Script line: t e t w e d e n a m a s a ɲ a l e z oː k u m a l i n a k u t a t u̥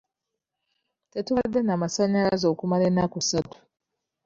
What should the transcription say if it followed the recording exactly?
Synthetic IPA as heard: t e t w a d e n a m a s a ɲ a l a z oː k u m a l e n a k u s a t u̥